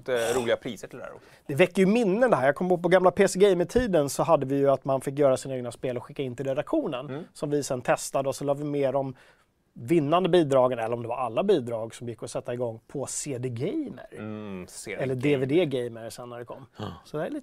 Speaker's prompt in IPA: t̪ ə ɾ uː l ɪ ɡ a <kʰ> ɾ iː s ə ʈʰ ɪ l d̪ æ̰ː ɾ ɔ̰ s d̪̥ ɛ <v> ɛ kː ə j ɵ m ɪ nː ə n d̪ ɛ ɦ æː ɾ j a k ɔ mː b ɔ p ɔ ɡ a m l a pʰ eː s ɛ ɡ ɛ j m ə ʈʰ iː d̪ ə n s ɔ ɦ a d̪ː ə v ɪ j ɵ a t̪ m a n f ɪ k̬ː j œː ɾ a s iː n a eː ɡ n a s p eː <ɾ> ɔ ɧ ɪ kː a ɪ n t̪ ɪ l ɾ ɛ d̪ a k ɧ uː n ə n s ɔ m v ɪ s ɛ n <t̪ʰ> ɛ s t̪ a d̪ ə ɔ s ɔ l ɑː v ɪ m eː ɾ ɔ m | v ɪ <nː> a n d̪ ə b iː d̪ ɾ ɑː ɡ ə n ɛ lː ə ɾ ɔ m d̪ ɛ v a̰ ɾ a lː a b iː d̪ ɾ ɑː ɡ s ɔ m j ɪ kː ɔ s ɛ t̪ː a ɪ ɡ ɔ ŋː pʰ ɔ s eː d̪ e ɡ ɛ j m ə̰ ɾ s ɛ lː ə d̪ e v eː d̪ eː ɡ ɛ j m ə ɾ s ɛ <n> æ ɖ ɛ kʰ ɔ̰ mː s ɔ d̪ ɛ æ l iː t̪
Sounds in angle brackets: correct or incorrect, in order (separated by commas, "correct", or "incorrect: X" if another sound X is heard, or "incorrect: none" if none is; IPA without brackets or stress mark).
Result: incorrect: pʰ, correct, incorrect: l, correct, correct, incorrect: nː